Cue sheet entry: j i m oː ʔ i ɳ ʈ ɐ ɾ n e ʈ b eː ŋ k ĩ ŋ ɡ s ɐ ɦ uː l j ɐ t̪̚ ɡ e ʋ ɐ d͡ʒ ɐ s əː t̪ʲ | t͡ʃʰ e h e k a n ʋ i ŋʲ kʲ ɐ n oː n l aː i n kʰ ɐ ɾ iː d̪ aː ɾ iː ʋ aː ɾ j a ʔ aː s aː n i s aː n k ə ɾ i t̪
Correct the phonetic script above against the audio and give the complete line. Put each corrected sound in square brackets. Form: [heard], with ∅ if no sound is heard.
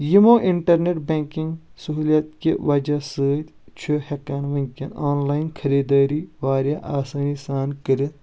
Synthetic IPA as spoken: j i m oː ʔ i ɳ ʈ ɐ ɾ n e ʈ b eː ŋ k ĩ ŋ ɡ s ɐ ɦ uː l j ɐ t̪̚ [k] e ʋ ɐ d͡ʒ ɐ s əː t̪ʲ | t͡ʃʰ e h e k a n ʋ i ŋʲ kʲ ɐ n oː n l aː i n kʰ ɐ ɾ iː d̪ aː ɾ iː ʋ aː ɾ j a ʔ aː s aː n i s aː n k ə ɾ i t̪